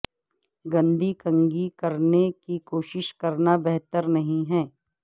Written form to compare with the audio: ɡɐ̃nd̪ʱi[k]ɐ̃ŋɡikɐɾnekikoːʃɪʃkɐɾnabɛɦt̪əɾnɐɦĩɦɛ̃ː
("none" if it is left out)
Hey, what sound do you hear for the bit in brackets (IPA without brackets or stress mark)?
k